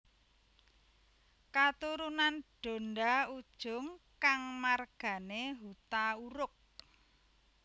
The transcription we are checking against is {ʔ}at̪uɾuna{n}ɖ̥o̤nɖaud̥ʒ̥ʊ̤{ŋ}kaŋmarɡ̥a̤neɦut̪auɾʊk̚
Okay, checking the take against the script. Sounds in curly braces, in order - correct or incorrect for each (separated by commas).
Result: incorrect, correct, correct